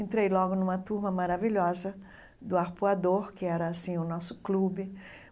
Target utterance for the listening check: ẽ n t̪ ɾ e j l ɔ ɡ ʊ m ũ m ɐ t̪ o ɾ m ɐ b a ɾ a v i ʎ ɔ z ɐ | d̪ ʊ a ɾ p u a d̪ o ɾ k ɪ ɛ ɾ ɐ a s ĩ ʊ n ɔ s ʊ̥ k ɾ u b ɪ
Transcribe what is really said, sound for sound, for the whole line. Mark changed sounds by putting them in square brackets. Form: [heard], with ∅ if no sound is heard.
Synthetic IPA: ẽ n t̪ ɾ e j l ɔ ɡ ʊ [n] ũ m ɐ t̪ [u] ɾ m ɐ [m] a ɾ a v i ʎ ɔ z ɐ | d̪ ʊ a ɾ p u a d̪ o ɾ k ɪ ɛ ɾ ɐ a s ĩ ʊ n ɔ s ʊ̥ k [l] u b ɪ

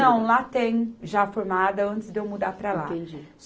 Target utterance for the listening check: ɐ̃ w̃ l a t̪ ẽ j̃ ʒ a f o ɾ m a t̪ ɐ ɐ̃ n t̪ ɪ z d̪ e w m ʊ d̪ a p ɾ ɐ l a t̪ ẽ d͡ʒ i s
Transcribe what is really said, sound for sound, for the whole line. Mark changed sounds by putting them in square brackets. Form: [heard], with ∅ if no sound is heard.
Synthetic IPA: ɐ̃ w̃ l a t̪ ẽ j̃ ʒ a f o ɾ m a [d̪] ɐ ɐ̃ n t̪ ɪ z d̪ e w m [u] d̪ a p ɾ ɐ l a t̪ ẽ d͡ʒ i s

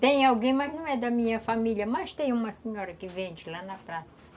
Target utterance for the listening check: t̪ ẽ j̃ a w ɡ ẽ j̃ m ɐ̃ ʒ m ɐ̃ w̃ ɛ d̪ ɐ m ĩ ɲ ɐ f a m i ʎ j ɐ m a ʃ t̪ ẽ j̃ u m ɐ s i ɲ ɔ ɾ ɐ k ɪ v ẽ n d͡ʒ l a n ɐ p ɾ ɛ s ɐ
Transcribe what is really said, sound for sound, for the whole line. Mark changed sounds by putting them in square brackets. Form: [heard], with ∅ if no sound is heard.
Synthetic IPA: t̪ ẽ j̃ a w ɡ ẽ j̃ m [ɐ] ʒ [n] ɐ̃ w̃ ɛ d̪ ɐ m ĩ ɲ ɐ f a m i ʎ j ɐ m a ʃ t̪ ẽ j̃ u m ɐ s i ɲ ɔ ɾ ɐ k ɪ v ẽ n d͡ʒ l a n ɐ p ɾ [a] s ɐ

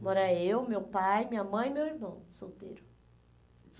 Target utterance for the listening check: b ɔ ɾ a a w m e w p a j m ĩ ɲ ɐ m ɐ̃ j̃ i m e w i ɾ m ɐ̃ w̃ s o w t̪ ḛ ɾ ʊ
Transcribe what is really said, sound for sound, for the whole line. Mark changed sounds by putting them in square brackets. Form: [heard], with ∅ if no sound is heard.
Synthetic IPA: [m] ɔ ɾ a [e] w m e w p a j m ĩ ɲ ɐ m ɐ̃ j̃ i m e w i ɾ m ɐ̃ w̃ s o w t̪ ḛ ɾ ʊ

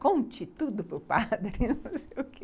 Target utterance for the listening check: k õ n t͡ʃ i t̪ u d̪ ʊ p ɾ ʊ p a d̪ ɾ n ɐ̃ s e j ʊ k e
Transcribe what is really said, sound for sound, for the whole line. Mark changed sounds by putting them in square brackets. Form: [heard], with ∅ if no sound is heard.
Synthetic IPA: k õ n t͡ʃ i t̪ u d̪ ʊ p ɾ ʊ p a d̪ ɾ n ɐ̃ s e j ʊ k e

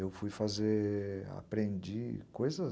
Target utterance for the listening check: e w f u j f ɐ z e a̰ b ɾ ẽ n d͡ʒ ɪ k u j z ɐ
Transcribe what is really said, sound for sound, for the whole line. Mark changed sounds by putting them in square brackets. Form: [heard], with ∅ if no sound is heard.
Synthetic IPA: e w f u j f [a] z e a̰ [p] ɾ ẽ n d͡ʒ [i] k [o] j z ɐ

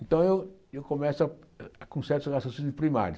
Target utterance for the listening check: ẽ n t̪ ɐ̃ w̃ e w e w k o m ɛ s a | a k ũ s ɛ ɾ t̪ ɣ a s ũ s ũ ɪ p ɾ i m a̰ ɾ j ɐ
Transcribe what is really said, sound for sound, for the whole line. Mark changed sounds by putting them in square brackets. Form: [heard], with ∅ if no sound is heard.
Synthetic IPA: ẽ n t̪ ɐ̃ w̃ e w e w k o m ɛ s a | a k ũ s ɛ ɾ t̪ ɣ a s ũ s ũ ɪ p ɾ i m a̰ ɾ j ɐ

